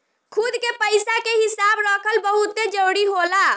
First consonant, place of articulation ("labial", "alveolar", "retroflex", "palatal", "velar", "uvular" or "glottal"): velar